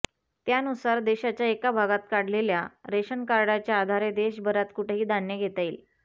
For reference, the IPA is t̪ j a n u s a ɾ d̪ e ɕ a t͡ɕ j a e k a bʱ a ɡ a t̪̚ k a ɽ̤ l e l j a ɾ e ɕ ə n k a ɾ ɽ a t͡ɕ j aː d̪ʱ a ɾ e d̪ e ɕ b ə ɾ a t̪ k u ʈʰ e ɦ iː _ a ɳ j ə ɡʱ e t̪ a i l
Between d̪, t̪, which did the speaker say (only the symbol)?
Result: d̪